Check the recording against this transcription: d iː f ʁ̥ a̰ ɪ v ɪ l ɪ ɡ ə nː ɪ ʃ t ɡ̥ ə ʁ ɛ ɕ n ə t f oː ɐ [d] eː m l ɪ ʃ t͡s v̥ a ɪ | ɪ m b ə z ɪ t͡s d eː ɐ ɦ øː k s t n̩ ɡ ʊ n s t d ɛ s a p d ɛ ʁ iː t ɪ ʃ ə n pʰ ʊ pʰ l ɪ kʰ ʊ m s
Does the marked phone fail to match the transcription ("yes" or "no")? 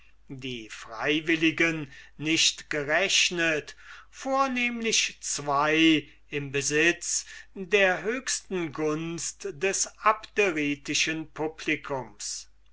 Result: yes